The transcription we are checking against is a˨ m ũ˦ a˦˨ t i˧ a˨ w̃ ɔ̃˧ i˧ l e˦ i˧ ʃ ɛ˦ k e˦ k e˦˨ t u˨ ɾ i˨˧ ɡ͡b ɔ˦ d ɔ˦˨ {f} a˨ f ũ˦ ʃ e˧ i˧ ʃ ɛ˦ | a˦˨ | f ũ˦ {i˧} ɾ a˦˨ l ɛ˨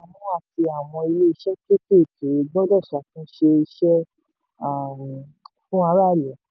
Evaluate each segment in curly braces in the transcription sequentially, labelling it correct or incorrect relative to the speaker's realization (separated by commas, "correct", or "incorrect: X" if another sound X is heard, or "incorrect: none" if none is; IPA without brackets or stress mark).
incorrect: ʃ, incorrect: a˧